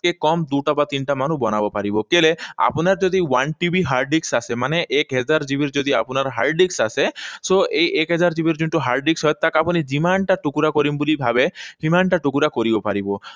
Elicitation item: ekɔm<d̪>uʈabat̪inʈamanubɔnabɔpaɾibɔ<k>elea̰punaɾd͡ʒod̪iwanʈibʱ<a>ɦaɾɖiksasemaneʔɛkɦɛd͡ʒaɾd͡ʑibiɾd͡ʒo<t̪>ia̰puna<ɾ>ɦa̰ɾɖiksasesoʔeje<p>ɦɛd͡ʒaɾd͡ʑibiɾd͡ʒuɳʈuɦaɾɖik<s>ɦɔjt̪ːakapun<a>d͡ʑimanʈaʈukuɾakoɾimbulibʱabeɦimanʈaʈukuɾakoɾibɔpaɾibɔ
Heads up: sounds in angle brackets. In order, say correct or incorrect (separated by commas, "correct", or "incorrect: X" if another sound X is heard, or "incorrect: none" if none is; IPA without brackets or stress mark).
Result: correct, correct, incorrect: i, incorrect: d̪, correct, incorrect: k, correct, incorrect: i